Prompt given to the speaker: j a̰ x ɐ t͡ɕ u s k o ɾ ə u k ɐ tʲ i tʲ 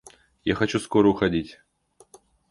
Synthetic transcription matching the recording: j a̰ x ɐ t͡ɕ u s k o ɾ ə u x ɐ dʲ i tʲ